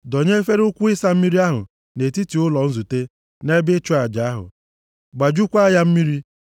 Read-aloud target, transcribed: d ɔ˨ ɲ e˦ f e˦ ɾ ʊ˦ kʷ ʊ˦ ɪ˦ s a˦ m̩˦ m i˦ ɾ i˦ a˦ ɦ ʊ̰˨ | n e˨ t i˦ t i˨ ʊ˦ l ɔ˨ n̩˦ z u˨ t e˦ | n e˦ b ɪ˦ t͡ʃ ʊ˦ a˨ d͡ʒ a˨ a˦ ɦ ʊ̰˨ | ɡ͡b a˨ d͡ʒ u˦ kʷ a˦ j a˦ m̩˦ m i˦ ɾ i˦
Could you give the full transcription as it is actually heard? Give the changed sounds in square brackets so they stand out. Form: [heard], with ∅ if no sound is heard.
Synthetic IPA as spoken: d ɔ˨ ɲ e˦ f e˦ ɾ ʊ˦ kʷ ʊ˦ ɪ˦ s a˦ m̩˦ m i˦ ɾ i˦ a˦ ɦ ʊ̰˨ | n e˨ t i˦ t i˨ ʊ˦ l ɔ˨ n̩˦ z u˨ t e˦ | n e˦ b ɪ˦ t͡ʃ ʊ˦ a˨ d͡ʒ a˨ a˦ ɦ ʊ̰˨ | ɡ͡b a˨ d͡ʒ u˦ kʷ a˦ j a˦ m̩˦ m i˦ ɾ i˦